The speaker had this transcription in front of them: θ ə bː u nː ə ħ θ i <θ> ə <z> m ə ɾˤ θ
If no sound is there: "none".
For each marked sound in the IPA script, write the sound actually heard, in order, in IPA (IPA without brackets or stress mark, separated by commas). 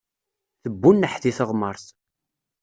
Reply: θ, ʁ